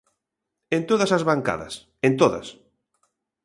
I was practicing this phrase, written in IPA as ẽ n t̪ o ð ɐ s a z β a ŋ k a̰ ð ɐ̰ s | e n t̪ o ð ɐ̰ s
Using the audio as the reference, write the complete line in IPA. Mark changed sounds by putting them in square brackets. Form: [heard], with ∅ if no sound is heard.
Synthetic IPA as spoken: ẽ n t̪ o ð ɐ s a z β a ŋ k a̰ ð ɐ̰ s | e n t̪ o ð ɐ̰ s